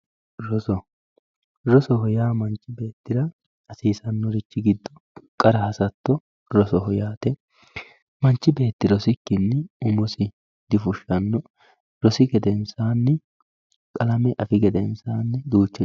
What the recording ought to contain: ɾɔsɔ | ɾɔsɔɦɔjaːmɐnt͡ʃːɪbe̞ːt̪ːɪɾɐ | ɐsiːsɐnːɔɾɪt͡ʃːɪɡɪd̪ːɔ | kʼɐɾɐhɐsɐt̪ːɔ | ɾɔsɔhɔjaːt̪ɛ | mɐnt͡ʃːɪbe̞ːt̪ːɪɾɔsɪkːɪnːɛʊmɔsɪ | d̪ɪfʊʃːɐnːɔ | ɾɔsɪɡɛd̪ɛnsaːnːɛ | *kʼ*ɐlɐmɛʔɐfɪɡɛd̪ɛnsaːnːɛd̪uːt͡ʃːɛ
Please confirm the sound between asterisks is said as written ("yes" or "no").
yes